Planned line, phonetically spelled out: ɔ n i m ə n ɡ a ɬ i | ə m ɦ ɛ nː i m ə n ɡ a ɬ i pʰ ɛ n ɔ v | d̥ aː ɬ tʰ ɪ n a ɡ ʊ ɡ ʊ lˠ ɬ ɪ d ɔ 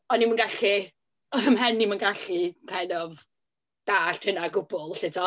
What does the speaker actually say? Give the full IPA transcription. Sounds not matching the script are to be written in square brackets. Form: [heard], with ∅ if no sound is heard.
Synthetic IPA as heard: ɔ n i m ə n ɡ a ɬ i | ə m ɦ ɛ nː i m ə n ɡ a ɬ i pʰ ɛ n ɔ v | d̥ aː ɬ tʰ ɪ n a ɡ ʊ [b] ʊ lˠ ɬ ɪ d ɔ

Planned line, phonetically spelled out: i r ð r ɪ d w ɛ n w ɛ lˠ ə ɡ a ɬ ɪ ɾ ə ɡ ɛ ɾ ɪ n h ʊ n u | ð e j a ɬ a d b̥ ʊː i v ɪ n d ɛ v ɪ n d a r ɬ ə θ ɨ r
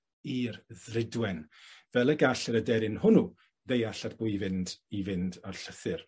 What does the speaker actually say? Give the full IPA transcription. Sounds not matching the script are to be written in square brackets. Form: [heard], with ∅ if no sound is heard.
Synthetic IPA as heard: i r ð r ɪ d w ɛ n [v] ɛ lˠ ə ɡ a ɬ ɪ ɾ ə [d] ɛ ɾ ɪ n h ʊ n u | ð e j a ɬ a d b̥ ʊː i v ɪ n d [i] v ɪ n d a r ɬ ə θ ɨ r

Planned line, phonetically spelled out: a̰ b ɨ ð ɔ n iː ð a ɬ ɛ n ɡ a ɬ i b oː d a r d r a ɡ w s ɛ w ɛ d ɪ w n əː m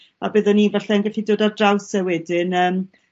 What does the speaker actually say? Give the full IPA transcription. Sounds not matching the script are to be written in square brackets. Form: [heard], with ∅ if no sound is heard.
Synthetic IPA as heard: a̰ b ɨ ð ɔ n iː [v] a ɬ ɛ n ɡ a ɬ i [d] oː d a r d r a [∅] w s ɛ w ɛ d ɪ [∅] n əː m

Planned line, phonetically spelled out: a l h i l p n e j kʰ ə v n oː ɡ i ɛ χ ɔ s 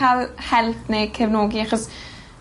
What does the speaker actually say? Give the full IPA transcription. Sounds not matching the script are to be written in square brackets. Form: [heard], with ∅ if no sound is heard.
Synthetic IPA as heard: a l h [ɛ] l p n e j kʰ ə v n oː ɡ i [a] χ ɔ s

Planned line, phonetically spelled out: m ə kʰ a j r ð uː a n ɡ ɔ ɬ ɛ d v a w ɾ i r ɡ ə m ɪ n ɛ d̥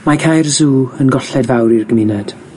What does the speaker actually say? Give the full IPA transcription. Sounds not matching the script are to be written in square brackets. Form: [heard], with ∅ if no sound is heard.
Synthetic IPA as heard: m [a] kʰ a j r [z] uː [ə] n ɡ ɔ ɬ ɛ d v a w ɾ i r ɡ ə m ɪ n ɛ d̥

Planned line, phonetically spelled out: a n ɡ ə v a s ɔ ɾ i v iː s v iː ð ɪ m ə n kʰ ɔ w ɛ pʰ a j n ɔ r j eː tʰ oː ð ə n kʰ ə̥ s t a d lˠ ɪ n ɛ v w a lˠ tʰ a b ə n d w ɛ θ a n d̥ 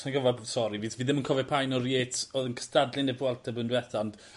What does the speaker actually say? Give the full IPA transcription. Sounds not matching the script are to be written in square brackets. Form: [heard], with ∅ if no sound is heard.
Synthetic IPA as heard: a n ɡ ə v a s ɔ ɾ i v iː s v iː ð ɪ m ə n kʰ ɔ [v] ɛ pʰ a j n ɔ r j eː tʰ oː ð ə n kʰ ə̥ s t a d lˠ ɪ n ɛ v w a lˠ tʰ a b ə n d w ɛ θ a n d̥

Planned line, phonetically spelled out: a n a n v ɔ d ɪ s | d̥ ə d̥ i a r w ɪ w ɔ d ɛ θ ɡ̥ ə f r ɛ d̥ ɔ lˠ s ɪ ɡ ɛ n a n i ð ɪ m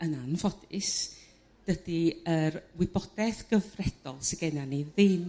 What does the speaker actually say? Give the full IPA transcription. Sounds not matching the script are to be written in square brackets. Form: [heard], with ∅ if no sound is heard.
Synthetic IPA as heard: [ə] n a n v ɔ d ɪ s | d̥ ə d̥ i [ə] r w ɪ [b] ɔ d ɛ θ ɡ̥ ə [v] r ɛ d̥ ɔ lˠ s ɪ ɡ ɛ n a n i ð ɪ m

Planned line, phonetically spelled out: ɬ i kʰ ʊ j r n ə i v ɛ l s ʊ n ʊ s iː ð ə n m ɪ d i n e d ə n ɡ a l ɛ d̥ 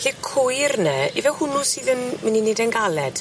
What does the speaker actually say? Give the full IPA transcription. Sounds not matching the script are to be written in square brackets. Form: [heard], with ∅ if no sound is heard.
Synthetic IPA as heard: ɬ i kʰ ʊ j r n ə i v ɛ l [h] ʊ n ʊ s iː ð ə n m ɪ [n] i n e d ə n ɡ a l ɛ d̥

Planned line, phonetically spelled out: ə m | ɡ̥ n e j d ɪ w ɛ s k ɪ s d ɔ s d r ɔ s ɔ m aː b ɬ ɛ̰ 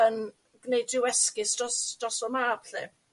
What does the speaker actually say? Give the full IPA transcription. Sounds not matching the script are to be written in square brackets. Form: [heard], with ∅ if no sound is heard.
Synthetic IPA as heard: ə [n] | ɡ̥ n e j d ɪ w ɛ s k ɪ s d ɔ s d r ɔ s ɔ m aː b ɬ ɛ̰

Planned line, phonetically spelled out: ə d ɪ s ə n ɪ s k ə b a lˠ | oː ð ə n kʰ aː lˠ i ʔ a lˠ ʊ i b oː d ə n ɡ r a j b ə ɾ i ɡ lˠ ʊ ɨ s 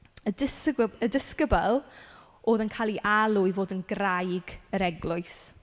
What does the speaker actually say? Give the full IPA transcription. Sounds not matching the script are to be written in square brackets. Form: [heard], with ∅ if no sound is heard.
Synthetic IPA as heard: ə d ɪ s ə [d] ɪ s k ə b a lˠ | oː ð ə n kʰ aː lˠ i ʔ a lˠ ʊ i [v] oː d ə n ɡ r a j [ɡ] ə ɾ [ɛ] ɡ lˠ ʊ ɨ s

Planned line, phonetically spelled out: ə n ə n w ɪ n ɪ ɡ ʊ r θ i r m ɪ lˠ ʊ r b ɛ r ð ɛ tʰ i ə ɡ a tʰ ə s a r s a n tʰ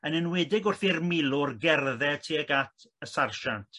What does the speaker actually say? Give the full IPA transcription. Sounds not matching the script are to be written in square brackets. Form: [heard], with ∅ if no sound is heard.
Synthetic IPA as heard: ə n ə n w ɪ [d] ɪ ɡ ʊ r θ i r m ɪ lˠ ʊ r [ɡ] ɛ r ð ɛ tʰ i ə ɡ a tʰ ə s a r [ʃ] a n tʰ

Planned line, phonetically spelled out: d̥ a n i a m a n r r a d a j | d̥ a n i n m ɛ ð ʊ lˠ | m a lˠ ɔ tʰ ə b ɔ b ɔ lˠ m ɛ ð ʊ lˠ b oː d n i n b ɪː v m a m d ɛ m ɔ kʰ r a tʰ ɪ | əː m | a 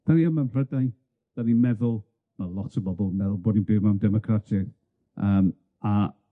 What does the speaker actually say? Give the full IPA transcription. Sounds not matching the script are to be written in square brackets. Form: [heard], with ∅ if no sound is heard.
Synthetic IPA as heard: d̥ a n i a m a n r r [ə] d a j | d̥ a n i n m ɛ ð ʊ lˠ | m a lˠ ɔ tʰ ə b ɔ b ɔ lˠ m ɛ ð ʊ lˠ b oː d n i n b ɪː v m a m d ɛ m ɔ kʰ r a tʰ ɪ | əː m | a

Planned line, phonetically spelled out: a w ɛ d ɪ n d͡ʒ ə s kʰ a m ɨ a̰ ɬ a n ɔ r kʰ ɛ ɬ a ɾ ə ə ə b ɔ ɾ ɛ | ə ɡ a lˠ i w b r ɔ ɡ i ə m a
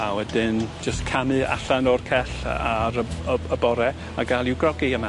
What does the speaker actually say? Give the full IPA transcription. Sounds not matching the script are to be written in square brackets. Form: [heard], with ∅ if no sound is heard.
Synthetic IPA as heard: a w ɛ d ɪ n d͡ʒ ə s kʰ a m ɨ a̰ ɬ a n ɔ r kʰ ɛ ɬ a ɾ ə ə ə b ɔ ɾ ɛ | [a] ɡ a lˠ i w [ɡ] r ɔ ɡ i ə m a

